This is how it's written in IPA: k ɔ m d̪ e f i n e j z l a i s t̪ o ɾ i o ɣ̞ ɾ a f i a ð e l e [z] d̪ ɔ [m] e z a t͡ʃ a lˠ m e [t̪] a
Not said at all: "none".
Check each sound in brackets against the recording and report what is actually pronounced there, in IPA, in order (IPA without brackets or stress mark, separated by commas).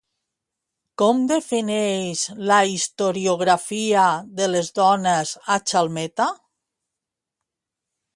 z, n, t̪